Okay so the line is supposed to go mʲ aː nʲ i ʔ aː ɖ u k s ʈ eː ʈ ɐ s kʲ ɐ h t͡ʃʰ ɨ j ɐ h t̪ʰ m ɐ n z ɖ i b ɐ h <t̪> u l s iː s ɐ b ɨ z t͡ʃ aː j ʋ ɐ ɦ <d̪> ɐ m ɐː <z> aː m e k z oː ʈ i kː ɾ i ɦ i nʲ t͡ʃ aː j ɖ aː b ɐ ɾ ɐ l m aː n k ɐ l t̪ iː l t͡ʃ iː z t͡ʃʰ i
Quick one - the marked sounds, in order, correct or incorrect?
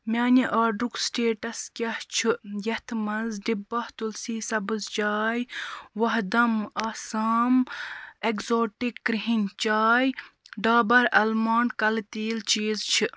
correct, correct, incorrect

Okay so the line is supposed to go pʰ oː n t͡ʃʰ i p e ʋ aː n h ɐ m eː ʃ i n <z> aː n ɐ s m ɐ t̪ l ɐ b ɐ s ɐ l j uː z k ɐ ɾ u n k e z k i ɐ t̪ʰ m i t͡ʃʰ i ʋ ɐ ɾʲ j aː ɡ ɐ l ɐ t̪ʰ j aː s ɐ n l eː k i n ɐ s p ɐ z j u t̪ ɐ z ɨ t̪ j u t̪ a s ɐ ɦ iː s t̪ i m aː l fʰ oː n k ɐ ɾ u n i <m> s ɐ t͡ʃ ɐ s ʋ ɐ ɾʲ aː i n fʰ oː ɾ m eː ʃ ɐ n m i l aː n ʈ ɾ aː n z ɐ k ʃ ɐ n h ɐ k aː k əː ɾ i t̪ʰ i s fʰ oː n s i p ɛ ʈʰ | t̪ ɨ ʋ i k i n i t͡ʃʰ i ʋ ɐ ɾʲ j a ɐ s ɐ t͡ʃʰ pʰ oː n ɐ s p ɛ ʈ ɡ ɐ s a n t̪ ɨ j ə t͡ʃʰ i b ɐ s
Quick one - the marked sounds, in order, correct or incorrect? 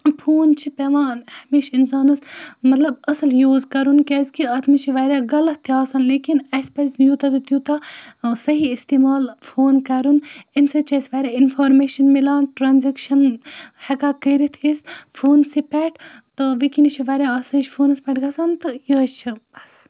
incorrect, incorrect

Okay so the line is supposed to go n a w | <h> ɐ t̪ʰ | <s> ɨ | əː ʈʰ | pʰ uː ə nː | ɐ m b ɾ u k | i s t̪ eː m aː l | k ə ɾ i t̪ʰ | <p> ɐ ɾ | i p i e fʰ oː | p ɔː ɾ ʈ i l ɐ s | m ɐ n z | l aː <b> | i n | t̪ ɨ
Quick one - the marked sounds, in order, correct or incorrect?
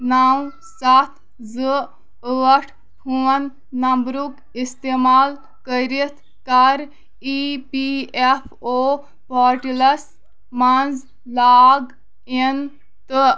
incorrect, incorrect, incorrect, incorrect

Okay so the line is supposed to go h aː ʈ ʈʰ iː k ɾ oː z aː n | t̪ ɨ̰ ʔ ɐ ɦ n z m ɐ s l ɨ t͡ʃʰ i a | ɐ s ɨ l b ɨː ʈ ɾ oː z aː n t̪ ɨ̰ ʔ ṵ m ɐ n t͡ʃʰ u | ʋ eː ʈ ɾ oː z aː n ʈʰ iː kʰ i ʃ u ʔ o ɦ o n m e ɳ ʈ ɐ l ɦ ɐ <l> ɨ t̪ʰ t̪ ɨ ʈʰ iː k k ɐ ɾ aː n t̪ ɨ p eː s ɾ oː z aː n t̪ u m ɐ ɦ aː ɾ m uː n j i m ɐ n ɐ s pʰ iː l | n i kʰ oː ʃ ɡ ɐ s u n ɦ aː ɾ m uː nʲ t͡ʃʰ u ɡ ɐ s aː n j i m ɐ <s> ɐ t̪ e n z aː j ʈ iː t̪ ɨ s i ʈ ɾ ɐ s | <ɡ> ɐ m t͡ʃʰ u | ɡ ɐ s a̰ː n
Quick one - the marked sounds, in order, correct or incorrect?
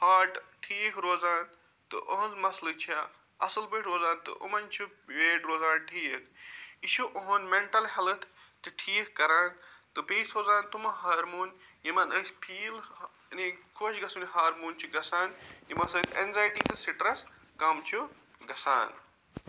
correct, correct, incorrect

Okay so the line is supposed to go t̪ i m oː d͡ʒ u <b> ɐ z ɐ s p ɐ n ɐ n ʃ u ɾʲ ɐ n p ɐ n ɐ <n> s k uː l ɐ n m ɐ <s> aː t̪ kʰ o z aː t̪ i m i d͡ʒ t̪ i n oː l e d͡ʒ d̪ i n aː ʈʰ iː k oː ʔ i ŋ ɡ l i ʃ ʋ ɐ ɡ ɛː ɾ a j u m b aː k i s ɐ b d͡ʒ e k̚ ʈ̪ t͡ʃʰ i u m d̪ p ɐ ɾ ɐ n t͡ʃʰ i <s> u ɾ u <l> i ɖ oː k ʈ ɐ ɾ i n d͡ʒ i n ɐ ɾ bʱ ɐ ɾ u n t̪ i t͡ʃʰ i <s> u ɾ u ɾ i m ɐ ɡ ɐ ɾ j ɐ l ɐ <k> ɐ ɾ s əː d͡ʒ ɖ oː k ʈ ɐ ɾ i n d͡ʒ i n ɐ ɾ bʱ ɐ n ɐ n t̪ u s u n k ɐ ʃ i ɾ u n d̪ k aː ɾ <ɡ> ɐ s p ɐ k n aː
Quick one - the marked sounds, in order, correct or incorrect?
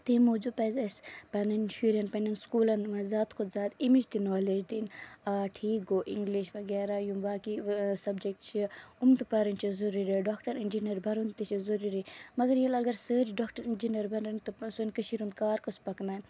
incorrect, correct, incorrect, incorrect, incorrect, incorrect, incorrect, incorrect

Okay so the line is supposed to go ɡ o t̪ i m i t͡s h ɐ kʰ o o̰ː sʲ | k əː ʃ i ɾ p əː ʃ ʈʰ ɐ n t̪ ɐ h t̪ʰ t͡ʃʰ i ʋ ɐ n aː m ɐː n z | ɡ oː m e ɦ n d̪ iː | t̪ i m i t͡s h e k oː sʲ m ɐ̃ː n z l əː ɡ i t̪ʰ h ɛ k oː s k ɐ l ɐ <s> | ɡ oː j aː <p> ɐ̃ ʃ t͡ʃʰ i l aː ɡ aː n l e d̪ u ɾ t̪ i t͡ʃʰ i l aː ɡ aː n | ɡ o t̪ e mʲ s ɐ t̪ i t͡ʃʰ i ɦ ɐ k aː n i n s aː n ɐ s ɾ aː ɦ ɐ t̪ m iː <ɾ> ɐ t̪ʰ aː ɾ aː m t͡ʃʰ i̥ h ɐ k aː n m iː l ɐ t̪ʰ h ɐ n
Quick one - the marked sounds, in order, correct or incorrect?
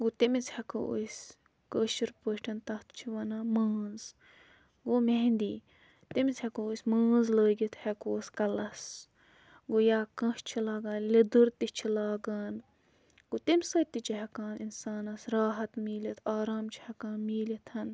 correct, incorrect, incorrect

